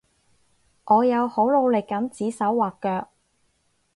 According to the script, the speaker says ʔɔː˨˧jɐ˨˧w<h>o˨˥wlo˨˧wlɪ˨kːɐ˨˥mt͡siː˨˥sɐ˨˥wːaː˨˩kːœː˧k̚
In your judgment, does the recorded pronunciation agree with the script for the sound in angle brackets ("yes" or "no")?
yes